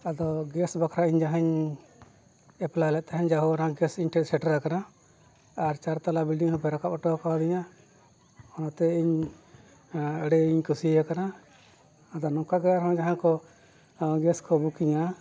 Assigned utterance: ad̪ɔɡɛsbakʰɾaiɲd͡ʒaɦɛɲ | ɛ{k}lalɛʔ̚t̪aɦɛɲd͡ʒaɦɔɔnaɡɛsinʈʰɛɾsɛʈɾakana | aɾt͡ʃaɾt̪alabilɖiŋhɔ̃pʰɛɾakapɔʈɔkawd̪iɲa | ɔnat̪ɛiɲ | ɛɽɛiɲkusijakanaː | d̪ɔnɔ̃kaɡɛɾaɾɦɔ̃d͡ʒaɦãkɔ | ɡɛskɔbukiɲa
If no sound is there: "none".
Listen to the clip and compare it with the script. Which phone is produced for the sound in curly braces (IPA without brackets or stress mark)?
p